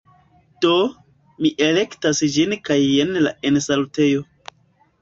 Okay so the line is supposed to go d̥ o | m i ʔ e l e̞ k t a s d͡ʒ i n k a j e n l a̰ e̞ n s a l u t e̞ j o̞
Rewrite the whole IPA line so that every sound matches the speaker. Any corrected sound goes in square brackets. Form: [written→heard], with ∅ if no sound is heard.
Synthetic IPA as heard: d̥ o | m i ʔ e l e̞ k t a s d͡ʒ i n k a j e n l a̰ e̞ n s a l u t e̞ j o̞